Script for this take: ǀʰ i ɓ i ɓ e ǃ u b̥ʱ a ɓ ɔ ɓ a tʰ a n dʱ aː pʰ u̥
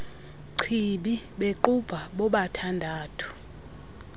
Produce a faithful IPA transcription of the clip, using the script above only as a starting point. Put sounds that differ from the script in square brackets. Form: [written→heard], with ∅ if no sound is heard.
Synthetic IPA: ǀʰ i ɓ i ɓ e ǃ u b̥ʱ a ɓ ɔ ɓ a tʰ a n dʱ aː [pʰ→tʰ] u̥